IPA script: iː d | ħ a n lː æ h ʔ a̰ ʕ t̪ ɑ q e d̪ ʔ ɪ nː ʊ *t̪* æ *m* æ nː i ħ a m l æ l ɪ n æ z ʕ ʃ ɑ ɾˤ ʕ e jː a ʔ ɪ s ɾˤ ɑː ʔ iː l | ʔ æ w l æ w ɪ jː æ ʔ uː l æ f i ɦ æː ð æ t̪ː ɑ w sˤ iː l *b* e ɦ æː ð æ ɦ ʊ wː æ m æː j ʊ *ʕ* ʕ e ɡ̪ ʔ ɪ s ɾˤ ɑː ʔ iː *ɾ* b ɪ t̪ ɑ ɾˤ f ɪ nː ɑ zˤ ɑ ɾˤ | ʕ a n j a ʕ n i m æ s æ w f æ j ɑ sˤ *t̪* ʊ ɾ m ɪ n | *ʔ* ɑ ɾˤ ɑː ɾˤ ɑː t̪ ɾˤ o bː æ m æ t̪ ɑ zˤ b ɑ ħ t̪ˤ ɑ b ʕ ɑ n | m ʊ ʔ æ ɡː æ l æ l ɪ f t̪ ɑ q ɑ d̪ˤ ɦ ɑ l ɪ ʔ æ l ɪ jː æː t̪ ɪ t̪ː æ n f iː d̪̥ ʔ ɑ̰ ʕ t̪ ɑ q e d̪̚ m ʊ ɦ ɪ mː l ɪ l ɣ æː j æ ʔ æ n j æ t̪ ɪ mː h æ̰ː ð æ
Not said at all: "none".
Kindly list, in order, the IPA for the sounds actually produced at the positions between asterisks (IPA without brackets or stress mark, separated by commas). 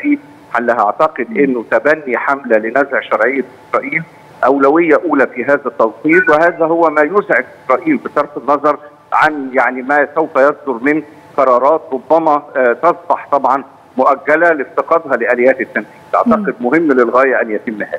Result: t̪, b, w, z, l, d̪, q